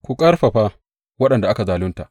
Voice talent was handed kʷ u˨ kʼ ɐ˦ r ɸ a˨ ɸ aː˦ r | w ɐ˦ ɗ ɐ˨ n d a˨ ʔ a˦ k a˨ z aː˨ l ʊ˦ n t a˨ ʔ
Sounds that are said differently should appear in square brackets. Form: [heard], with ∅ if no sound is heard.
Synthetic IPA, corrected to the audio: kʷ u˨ kʼ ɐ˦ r ɸ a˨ ɸ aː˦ [∅] | w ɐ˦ ɗ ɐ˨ n d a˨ ʔ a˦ k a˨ z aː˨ l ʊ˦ n t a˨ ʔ